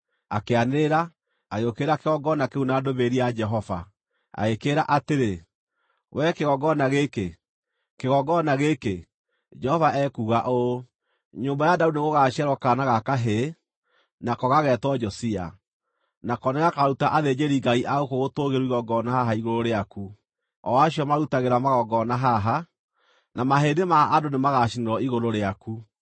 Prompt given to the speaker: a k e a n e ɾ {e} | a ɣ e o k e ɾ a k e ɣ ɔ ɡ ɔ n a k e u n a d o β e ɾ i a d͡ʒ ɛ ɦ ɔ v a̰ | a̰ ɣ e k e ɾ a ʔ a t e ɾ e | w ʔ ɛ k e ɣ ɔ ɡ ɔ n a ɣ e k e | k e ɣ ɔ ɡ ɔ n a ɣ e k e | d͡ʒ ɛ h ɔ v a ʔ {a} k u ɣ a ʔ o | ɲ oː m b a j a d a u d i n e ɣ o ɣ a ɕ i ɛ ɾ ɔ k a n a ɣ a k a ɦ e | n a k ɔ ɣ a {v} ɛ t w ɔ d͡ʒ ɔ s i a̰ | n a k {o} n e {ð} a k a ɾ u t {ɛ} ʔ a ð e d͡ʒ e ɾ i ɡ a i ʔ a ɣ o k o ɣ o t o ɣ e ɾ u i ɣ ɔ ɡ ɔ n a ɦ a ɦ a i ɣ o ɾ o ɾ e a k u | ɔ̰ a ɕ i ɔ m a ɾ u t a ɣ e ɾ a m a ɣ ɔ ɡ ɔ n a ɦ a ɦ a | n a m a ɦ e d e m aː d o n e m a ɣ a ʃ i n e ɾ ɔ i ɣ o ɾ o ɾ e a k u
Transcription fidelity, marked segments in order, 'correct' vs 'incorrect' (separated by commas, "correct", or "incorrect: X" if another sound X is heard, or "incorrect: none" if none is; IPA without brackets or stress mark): incorrect: a, incorrect: ɛ, incorrect: ɣ, incorrect: ɔ, incorrect: ɣ, incorrect: a